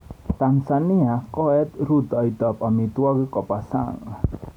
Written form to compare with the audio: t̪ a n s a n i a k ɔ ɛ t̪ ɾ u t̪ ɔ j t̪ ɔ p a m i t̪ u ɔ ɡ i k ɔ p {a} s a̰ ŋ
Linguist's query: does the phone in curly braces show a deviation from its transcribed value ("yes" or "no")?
no